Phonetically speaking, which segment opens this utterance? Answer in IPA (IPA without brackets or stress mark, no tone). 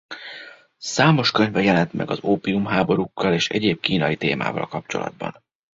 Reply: s